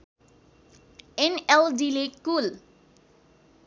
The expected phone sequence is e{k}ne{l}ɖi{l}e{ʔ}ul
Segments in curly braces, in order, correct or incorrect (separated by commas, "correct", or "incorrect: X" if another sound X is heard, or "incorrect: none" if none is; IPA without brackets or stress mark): incorrect: none, correct, correct, incorrect: k